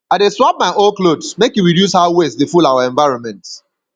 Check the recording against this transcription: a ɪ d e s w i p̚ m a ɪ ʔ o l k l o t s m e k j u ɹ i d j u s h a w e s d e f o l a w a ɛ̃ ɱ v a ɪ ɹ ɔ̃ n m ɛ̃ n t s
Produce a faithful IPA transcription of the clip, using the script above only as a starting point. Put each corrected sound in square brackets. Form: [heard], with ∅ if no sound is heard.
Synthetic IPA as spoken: a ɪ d e s w [a] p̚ m a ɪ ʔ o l k l o [d] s m e k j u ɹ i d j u s h a w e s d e f [u] l a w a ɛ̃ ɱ v a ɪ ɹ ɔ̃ n m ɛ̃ n t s